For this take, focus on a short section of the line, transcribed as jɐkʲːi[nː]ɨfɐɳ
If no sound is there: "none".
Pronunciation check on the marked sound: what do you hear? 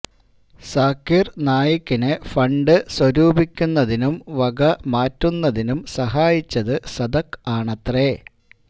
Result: n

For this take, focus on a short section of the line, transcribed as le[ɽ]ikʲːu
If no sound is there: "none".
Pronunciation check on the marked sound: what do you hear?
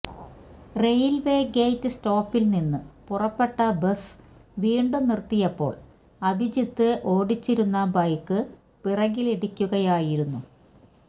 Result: ɽ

